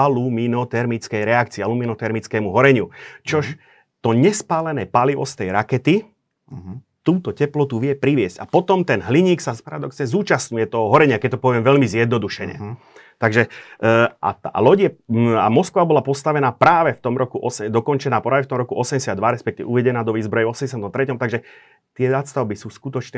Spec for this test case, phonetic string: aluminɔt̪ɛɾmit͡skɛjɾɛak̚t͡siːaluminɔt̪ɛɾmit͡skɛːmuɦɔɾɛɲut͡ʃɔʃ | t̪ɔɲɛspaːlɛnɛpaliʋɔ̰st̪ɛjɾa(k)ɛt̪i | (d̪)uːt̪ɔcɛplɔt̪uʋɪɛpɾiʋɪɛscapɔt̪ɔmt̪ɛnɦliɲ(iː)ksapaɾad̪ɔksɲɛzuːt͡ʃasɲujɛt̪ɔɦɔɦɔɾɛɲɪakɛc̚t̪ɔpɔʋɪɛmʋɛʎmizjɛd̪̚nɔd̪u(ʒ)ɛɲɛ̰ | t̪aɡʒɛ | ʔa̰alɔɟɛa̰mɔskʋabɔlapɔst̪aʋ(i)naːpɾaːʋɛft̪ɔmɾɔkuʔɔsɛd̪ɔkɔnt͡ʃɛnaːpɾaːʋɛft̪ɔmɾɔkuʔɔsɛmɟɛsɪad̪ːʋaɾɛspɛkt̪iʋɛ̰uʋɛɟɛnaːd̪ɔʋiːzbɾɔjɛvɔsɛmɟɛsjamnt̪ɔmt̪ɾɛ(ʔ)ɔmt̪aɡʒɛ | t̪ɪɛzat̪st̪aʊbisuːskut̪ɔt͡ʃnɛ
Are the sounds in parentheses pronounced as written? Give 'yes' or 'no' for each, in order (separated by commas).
yes, no, yes, no, no, no